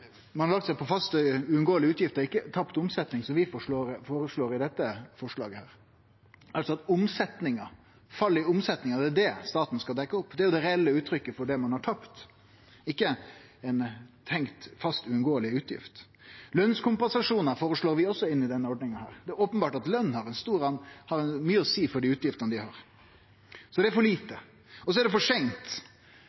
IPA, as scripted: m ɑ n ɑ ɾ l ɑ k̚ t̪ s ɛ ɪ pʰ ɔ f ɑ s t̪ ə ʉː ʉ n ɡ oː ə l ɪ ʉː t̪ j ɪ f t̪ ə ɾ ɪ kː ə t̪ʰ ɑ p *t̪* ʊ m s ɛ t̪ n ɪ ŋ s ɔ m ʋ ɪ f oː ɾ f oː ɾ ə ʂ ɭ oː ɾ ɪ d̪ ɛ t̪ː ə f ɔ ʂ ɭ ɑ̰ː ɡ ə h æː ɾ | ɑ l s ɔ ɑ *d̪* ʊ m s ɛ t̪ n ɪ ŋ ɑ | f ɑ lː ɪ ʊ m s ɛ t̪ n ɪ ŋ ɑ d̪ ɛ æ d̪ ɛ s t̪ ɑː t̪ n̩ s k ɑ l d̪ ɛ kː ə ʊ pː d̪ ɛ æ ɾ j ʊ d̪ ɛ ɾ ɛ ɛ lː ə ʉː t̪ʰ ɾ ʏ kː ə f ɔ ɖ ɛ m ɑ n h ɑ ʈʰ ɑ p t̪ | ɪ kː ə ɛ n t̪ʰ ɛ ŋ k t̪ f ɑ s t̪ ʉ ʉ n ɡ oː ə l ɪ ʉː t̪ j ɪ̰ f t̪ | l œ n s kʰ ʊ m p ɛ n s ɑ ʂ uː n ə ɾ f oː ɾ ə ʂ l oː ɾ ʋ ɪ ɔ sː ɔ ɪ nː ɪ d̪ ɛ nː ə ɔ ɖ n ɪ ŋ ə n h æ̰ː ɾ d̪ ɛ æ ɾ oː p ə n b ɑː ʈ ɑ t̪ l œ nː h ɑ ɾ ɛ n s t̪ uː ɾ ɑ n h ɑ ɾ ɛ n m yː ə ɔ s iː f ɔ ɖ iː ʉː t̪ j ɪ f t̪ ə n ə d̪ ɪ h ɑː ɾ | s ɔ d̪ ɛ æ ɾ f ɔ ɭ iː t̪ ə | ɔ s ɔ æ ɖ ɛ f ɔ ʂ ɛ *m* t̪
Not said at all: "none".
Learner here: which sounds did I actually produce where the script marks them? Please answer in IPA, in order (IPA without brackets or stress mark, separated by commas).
t̪, t̪, ŋ